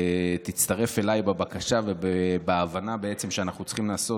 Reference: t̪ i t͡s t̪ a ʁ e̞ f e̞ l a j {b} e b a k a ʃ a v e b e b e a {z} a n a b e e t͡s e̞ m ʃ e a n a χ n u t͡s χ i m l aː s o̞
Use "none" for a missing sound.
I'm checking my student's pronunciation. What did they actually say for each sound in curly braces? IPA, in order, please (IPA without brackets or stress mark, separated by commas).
b, v